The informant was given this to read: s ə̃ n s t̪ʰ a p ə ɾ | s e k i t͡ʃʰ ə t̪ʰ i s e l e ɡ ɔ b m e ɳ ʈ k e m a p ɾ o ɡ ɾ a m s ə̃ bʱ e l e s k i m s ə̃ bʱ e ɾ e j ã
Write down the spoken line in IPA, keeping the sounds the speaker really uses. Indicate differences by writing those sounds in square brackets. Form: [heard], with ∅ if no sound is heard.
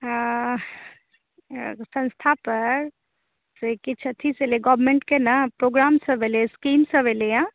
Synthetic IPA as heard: s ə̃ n s t̪ʰ a p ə ɾ | s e k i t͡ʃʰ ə t̪ʰ i s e l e ɡ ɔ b m e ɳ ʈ k e [n] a p ɾ o ɡ ɾ a m s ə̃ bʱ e l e s k i m s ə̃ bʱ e [l] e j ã